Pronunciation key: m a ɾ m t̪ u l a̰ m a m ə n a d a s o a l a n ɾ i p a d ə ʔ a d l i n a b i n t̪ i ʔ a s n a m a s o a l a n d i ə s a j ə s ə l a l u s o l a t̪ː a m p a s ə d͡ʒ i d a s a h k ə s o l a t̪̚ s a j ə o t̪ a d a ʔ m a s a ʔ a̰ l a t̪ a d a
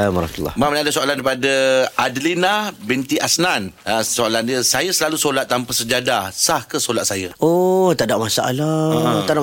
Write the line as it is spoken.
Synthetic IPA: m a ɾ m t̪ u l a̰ m a m ə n a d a s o a l a n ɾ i p a d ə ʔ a d l i n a b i n t̪ i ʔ a s n a n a s o a l a n d i ə s a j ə s ə l a l u s o l a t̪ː a m p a s ə d͡ʒ a d a s a h k ə s o l a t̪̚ s a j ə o t̪ a d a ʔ m a s a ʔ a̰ l a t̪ a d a